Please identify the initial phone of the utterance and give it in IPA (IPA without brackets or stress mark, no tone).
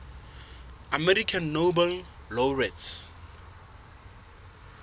a